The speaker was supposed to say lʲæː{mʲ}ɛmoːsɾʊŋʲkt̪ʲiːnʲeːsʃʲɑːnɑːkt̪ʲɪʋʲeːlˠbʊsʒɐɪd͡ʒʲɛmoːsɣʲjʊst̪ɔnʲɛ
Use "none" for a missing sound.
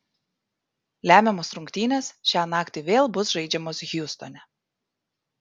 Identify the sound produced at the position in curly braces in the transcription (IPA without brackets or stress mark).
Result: mʲ